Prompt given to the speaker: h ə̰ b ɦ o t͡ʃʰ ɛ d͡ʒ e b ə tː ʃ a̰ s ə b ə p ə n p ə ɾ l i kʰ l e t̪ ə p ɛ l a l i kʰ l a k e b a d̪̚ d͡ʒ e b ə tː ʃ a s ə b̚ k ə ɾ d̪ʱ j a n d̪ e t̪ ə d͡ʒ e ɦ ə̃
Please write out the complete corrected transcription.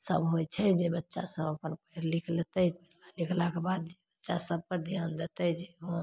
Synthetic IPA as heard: s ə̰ b ɦ o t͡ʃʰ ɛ d͡ʒ e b ə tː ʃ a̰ s ə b ə p ə n p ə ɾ l i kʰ l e t̪ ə p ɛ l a l i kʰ l a k e b a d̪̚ d͡ʒ e b ə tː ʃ a s ə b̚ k ə ɾ d̪ʱ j a n d̪ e t̪ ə d͡ʒ e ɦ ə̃